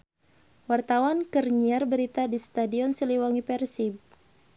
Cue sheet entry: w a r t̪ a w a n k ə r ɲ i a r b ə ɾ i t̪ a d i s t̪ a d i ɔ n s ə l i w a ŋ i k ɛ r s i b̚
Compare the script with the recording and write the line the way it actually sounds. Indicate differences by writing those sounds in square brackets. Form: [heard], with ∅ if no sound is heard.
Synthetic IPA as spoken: w a r t̪ a w a n k ə r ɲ i a r b ə ɾ i t̪ a d i s t̪ a d i ɔ n s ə l i w a ŋ i [p] ɛ r s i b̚

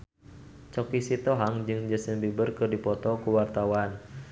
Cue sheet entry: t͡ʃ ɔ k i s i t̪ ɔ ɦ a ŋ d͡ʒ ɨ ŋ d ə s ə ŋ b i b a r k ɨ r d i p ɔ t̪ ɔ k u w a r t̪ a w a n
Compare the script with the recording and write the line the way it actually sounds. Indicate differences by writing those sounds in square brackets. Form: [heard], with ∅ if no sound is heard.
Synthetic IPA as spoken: t͡ʃ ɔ k i s i t̪ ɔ ɦ a ŋ d͡ʒ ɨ ŋ [d͡ʒ] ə s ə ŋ b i b [ə] r k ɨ r d i p ɔ t̪ ɔ k u w a r t̪ a w a n

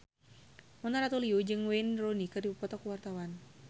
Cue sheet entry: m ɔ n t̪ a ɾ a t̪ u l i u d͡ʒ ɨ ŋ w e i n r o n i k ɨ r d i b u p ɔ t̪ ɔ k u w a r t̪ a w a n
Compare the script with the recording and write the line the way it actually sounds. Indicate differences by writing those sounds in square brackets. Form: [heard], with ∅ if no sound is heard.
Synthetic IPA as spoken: m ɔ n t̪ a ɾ a t̪ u l i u d͡ʒ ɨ ŋ w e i n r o n i k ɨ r d i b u p ɔ t̪ ɔ k u w a r t̪ a w a n

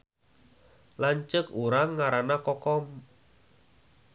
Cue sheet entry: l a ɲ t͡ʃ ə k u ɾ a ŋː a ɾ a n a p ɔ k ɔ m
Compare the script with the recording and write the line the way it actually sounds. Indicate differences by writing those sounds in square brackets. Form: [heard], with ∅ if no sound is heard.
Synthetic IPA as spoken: l a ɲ t͡ʃ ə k u ɾ a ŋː a ɾ a n a [k] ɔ k ɔ m

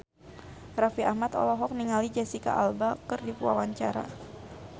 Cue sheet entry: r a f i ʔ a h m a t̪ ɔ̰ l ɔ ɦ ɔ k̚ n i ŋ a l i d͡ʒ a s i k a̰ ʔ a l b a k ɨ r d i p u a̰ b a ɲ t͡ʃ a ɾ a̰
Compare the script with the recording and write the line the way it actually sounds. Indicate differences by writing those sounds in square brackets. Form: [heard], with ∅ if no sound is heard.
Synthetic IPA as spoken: r a f i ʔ a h m a t̪ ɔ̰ l ɔ ɦ ɔ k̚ n i ŋ a l i d͡ʒ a s i k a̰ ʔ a l b a k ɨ r d i p u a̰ [w] a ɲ t͡ʃ a ɾ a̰

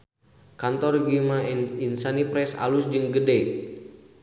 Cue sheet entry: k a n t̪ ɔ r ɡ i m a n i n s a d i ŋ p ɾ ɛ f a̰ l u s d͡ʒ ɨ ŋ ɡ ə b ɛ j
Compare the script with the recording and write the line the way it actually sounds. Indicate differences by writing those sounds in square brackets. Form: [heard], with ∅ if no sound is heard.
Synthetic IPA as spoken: k a n t̪ ɔ r ɡ i m a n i n s a [n] i [∅] p ɾ ɛ [s] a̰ l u s d͡ʒ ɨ ŋ ɡ ə [d] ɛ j

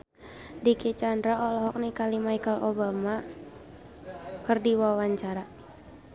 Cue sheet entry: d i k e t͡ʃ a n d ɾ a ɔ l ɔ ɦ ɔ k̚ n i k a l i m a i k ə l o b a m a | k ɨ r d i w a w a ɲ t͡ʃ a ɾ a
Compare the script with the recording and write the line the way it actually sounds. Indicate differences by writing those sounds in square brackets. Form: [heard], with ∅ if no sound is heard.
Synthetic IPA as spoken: d i k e t͡ʃ a n d ɾ a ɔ l ɔ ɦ ɔ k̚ n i k a l i m a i k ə l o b a m a | k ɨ r d i w a w a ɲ t͡ʃ a ɾ a

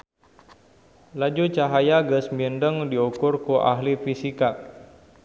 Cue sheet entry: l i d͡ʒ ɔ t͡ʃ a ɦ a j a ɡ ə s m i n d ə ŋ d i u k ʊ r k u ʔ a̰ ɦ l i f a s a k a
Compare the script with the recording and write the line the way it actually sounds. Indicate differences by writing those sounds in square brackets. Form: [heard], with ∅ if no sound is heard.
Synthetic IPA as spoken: l [a] d͡ʒ [u] t͡ʃ a ɦ a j a ɡ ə s m i n d ə ŋ d i u k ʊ r k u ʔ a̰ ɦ l i f [i] s [i] k a

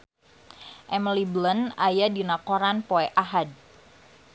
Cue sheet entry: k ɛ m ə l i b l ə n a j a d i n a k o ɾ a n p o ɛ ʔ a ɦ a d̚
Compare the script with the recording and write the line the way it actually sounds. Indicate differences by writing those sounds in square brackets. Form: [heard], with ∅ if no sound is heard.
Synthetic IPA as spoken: [ʔ] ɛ m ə l i b l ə n a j a d i n a k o ɾ a n p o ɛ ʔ a ɦ a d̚

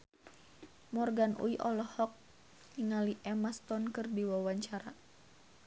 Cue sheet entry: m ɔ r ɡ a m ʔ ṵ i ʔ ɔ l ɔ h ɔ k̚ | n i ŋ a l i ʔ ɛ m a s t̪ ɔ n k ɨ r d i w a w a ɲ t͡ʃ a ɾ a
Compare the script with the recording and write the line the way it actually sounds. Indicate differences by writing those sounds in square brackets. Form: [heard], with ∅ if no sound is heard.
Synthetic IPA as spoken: m ɔ r ɡ a [n] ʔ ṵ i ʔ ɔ l ɔ h ɔ k̚ | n i ŋ a l i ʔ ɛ m a s t̪ ɔ n k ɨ r d i w a w a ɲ t͡ʃ a ɾ a

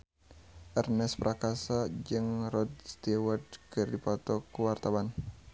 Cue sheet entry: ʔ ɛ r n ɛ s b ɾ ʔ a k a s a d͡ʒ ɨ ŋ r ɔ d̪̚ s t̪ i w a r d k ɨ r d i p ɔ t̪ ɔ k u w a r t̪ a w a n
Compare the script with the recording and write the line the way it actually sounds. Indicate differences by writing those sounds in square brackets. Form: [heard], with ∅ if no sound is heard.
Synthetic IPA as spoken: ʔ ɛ r n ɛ s [p] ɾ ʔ a k a s a d͡ʒ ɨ ŋ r ɔ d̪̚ s t̪ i w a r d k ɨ r d i p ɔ t̪ ɔ k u w a r t̪ a w a n

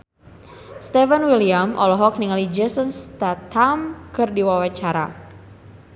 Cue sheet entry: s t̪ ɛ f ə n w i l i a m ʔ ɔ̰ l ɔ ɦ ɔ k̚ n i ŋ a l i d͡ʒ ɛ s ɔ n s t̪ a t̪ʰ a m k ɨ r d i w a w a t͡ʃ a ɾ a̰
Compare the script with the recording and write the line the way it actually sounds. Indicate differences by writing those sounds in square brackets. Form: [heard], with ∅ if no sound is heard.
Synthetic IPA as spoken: s t̪ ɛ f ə n w i l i a m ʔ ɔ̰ l ɔ ɦ ɔ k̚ n i ŋ a l i d͡ʒ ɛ s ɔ n s t̪ a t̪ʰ a m k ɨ r d i w a w a t͡ʃ a ɾ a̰

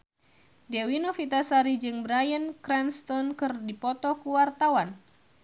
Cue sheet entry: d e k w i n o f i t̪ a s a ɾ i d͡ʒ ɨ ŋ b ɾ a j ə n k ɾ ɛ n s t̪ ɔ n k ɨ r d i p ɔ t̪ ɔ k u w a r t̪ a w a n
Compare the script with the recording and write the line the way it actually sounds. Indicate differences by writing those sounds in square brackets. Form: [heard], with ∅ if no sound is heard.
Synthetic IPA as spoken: d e [∅] w i n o f i t̪ a s a ɾ i d͡ʒ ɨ ŋ b ɾ a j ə n k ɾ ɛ n s t̪ ɔ n k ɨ r d i p ɔ t̪ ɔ k u w a r t̪ a w a n

